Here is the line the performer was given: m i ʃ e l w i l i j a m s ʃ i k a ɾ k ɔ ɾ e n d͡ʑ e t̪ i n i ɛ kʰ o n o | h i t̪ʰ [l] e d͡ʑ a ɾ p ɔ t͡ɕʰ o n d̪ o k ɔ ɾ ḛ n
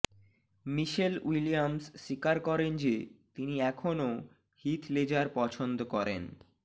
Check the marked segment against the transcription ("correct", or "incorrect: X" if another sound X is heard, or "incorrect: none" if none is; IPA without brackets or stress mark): correct